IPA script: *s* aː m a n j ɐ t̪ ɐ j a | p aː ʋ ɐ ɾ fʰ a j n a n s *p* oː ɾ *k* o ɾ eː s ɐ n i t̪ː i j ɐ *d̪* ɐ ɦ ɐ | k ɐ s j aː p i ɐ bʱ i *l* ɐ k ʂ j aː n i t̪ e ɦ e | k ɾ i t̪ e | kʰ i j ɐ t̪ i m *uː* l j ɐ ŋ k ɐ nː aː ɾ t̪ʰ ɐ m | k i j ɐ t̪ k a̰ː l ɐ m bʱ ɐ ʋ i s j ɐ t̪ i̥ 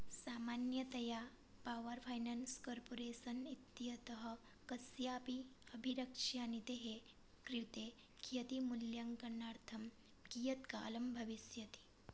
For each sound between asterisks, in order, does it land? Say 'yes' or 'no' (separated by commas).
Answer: yes, no, no, no, no, no